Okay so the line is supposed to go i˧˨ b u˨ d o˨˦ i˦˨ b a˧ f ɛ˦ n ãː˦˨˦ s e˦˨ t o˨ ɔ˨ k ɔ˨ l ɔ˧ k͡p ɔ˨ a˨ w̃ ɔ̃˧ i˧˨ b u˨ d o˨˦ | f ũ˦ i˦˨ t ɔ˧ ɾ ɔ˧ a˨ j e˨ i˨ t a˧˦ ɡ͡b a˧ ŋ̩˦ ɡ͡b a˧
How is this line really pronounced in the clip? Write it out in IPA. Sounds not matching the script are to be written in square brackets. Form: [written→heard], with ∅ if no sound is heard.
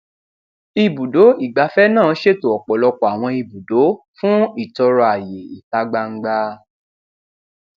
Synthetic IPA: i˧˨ b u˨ d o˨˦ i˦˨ [b→ɡ͡b] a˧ f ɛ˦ n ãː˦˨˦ [s→ʃ] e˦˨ t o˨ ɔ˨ [k→k͡p] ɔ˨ l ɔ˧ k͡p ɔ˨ a˨ w̃ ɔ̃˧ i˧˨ b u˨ d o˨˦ | f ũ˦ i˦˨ t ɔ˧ ɾ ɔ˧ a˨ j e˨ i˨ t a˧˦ ɡ͡b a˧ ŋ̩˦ ɡ͡b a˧